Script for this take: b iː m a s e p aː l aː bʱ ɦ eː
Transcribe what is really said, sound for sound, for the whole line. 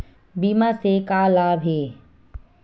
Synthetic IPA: b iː m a s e k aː l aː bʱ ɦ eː